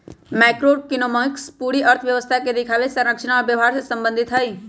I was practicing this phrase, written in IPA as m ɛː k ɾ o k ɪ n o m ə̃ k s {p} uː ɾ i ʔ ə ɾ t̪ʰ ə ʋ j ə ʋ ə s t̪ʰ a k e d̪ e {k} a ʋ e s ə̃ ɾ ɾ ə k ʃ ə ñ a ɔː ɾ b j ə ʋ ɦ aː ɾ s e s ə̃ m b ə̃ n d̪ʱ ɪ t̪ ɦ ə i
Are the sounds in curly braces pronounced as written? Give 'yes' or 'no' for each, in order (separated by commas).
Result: yes, no